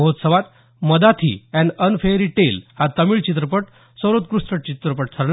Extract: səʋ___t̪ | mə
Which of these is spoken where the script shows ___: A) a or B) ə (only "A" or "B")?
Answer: A